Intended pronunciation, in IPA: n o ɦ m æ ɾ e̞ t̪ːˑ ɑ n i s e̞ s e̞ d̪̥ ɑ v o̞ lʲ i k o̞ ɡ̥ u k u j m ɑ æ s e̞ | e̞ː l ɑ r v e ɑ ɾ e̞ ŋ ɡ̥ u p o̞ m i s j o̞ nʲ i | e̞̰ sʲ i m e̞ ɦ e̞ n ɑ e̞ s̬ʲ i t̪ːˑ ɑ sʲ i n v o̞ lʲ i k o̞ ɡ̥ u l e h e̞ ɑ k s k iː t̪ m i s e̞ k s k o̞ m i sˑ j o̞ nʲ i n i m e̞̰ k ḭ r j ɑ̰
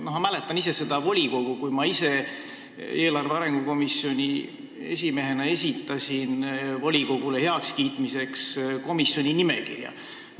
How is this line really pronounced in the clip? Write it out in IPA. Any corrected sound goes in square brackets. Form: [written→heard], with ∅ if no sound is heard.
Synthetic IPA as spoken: n o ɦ m æ [ɾ→l] e̞ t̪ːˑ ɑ n i s e̞ s e̞ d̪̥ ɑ v o̞ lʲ i k o̞ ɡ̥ u k u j m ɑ [æ→i] s e̞ | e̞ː l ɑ r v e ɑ ɾ e̞ ŋ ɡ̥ u [p→k] o̞ m i s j o̞ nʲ i | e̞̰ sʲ i m e̞ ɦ e̞ n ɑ e̞ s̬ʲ i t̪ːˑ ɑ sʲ i n v o̞ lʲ i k o̞ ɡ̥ u l e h e̞ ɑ k s k iː t̪ m i s e̞ k s k o̞ m i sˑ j o̞ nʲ i n i m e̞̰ k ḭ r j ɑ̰